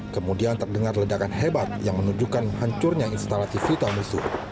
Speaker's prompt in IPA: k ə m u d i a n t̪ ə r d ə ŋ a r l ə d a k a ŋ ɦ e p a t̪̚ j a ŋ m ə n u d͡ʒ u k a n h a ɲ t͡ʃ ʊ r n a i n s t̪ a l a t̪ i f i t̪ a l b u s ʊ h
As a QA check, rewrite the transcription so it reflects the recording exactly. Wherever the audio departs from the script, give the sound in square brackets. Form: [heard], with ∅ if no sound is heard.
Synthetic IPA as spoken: k ə m u d i a n t̪ ə r d ə ŋ a r l ə d a k a [n] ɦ e [b] a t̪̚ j a ŋ m ə n u d͡ʒ u k a n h a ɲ t͡ʃ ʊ r [ɲ] a i n s t̪ a l a t̪ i f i t̪ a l [m] u s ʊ h